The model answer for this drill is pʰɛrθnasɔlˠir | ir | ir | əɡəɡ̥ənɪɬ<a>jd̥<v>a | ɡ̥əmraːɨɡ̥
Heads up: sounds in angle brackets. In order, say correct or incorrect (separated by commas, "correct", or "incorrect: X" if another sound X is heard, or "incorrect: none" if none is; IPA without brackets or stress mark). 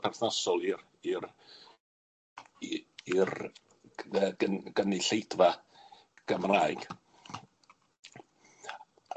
incorrect: e, correct